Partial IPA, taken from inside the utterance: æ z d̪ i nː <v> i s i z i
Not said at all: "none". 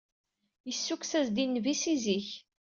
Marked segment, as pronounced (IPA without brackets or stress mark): v